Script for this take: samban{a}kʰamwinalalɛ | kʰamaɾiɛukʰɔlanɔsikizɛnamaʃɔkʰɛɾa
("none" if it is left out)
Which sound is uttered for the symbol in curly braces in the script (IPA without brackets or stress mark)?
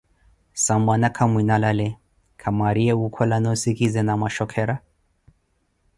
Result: a